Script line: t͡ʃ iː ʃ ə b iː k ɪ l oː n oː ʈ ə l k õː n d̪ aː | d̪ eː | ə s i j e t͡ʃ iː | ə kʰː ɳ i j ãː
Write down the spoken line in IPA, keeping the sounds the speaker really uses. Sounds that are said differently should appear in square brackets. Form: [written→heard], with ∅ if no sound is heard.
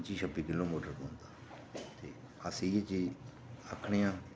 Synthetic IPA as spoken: t͡ʃ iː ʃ ə b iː k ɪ l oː [n→m] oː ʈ ə [l→ɾ] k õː n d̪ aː | [d̪→t̪] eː | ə s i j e t͡ʃ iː | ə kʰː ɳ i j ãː